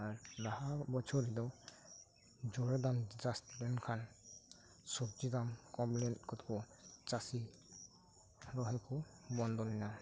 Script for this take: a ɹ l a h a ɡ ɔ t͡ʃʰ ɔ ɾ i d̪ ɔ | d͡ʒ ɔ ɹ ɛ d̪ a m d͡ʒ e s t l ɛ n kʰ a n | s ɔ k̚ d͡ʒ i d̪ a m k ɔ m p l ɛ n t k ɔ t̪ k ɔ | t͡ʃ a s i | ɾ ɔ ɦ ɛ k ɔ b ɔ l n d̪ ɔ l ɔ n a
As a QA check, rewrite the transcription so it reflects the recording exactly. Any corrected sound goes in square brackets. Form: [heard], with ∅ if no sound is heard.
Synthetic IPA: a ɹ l a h a [b] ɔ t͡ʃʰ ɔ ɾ i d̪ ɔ | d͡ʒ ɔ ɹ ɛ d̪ a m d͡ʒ [a] s t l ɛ n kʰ a n | s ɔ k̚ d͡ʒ i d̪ a m k ɔ m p l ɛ n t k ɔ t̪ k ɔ | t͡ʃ a s i | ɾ ɔ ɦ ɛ k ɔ b ɔ [∅] n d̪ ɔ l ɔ n a